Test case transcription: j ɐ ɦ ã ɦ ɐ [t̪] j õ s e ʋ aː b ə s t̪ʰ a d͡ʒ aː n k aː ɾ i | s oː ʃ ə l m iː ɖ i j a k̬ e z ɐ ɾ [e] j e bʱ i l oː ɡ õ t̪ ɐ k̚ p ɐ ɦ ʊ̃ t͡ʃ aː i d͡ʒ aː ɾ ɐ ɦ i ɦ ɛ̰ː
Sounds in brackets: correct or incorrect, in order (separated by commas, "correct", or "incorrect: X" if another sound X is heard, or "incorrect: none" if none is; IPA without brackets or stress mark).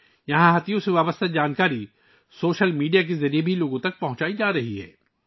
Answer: correct, incorrect: i